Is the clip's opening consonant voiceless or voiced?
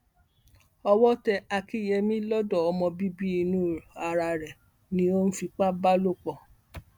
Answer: voiced